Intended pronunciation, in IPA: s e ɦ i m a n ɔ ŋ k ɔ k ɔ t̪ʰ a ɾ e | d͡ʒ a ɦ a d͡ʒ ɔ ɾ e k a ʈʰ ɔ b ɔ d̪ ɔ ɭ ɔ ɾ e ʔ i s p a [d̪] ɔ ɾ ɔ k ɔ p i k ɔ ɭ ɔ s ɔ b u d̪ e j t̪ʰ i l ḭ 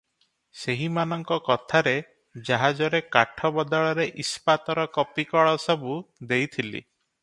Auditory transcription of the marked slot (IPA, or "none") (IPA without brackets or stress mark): t̪